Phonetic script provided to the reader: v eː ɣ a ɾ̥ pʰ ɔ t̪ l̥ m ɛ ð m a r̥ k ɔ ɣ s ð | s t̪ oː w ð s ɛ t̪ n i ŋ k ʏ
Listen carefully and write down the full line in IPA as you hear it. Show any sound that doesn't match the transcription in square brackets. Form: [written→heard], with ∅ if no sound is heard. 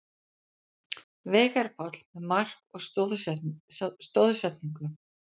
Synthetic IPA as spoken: v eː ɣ a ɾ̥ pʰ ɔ t̪ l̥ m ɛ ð m a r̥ k ɔ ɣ s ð | s t̪ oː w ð s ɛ t̪ n i ŋ k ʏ